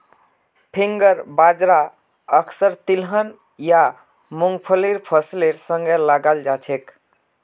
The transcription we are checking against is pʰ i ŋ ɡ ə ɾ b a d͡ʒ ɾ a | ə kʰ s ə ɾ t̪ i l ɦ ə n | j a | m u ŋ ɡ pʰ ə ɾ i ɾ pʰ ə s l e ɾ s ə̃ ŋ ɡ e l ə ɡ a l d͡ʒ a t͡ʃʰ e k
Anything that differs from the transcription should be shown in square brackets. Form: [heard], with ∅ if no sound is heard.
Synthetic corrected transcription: pʰ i ŋ ɡ ə ɾ b a d͡ʒ ɾ a | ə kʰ s ə ɾ t̪ i l ɦ ə n | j a | m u ŋ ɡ pʰ ə [l] i ɾ pʰ ə s l e ɾ s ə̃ ŋ ɡ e l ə ɡ a l d͡ʒ a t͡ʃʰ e k